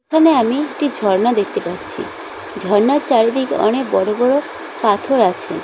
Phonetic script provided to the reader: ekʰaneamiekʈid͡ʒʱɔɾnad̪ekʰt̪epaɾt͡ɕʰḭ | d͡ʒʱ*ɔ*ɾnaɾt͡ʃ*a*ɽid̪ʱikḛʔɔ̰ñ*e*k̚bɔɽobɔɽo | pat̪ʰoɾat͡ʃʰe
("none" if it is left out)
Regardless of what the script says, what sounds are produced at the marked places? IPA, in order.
ɔ, a, e

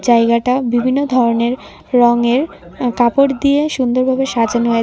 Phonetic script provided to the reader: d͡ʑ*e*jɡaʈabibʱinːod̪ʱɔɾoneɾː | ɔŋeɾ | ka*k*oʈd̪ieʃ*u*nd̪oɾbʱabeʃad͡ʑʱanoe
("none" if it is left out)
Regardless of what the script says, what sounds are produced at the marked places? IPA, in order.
a, p, u

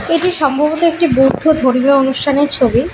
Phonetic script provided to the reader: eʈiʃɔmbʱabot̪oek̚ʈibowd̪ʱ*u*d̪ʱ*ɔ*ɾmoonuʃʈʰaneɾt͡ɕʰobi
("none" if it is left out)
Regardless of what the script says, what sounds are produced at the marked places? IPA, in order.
o, o

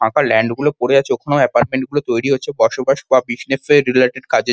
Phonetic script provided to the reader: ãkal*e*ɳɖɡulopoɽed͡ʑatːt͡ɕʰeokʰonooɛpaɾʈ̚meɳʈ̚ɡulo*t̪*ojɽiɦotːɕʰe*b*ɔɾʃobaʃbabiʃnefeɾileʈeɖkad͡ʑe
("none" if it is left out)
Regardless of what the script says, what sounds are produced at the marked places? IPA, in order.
ɛ, t̪, b

